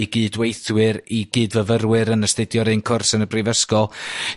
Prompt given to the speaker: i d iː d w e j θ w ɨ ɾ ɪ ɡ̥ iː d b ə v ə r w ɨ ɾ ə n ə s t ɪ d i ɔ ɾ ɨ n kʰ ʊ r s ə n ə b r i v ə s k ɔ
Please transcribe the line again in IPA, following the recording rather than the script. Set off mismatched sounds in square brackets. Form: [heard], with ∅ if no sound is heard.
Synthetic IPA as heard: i [ɡ] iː d w e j θ w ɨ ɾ [i] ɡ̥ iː d [v] ə v ə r w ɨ ɾ ə n ə s t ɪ d [j] ɔ ɾ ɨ n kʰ ʊ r s ə n ə b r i v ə s k ɔ